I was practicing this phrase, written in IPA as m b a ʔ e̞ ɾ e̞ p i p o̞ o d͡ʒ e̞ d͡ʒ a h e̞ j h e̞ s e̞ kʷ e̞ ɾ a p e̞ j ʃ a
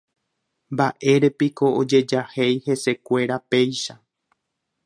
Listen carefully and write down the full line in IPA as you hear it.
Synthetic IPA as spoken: m b a ʔ e̞ ɾ e̞ p i k o̞ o d͡ʒ e̞ d͡ʒ a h e̞ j h e̞ s e̞ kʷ e̞ ɾ a p e̞ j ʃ a